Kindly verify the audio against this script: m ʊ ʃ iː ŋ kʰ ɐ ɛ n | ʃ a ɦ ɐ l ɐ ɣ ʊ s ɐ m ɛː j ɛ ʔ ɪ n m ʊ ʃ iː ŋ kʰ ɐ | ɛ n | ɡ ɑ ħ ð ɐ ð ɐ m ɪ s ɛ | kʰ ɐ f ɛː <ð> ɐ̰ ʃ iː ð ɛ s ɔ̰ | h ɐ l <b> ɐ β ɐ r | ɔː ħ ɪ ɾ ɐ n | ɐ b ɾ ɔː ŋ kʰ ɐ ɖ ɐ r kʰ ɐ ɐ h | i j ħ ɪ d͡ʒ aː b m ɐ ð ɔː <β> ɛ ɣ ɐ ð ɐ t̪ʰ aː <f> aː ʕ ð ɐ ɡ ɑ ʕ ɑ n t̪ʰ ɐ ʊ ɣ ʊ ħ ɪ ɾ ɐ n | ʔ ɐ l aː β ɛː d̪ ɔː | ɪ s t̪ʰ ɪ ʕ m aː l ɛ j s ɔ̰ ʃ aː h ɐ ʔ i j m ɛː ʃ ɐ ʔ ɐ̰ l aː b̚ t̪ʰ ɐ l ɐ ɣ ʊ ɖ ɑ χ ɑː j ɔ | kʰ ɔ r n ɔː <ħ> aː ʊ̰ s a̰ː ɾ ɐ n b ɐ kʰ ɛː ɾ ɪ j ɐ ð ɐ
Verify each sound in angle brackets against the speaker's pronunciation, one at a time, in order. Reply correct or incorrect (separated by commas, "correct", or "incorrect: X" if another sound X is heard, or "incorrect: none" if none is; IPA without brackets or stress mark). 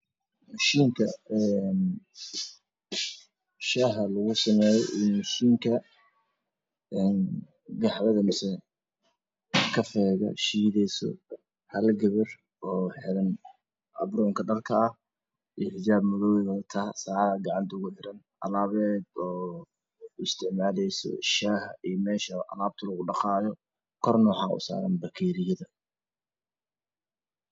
incorrect: ɣ, incorrect: ɡ, incorrect: w, incorrect: s, correct